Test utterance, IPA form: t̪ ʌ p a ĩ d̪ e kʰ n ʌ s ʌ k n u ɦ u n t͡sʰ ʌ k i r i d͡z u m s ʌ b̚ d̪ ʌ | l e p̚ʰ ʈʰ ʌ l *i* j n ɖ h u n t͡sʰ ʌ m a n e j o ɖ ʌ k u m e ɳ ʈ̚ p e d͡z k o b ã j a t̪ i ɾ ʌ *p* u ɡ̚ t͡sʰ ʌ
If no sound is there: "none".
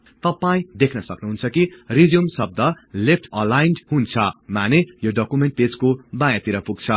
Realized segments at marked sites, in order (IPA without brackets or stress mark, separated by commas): a, p